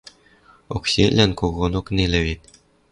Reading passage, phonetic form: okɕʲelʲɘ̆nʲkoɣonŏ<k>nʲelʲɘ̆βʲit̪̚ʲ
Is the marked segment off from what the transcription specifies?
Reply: no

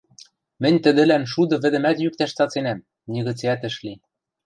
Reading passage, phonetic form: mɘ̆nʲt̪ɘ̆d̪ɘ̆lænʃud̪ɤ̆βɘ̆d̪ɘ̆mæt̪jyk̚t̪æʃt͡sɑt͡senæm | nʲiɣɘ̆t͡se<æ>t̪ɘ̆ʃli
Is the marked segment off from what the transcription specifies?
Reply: no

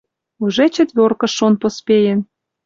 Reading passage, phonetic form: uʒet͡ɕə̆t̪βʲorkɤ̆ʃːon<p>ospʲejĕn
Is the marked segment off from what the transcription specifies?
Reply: no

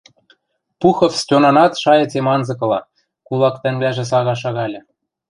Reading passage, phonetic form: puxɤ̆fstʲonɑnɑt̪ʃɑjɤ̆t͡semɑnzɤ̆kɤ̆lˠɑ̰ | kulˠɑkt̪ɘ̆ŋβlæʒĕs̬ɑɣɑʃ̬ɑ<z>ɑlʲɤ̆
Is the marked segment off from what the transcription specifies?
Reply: yes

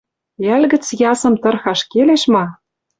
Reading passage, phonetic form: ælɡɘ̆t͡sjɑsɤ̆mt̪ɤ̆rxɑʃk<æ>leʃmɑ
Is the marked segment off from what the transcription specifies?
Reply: yes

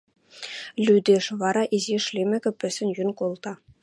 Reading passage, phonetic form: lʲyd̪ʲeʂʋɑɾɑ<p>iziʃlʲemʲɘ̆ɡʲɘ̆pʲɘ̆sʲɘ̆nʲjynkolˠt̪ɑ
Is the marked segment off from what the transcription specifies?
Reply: yes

